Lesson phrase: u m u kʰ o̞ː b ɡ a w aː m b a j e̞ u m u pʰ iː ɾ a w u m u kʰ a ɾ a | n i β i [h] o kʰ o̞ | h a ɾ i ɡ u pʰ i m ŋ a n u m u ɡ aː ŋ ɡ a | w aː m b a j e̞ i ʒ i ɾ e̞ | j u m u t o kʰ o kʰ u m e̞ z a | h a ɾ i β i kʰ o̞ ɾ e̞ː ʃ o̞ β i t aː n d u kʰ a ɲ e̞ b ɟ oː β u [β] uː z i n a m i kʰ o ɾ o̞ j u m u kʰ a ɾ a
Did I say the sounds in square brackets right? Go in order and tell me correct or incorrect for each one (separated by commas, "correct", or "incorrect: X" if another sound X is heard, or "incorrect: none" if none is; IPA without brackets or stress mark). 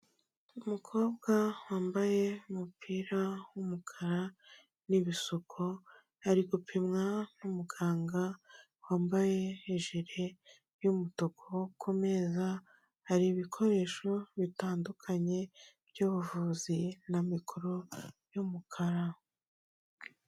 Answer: incorrect: s, incorrect: v